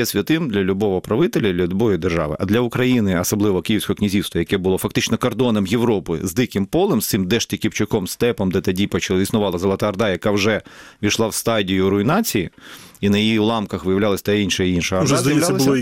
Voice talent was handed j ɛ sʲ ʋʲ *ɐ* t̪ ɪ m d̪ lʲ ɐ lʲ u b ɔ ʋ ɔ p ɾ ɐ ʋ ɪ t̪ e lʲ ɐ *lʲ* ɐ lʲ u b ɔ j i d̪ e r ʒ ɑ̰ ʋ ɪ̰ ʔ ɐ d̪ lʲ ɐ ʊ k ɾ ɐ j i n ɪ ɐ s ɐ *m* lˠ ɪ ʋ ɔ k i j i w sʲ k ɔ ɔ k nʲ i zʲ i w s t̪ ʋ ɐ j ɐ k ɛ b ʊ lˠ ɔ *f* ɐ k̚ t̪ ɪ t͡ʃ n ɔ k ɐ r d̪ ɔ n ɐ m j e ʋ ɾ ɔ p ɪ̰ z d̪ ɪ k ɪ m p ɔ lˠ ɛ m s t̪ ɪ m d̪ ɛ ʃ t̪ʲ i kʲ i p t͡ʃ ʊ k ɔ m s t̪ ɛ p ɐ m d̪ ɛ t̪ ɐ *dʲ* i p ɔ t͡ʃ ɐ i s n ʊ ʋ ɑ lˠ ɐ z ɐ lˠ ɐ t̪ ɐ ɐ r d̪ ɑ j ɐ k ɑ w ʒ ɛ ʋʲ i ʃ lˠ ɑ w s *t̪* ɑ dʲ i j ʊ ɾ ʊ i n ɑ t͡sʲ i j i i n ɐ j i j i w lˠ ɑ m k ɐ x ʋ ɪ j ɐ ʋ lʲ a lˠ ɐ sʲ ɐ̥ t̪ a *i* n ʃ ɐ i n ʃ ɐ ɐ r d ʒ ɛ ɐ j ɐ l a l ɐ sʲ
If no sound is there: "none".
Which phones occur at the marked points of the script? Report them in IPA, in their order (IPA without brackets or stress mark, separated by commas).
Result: ɐ, lʲ, b, f, dʲ, t̪, i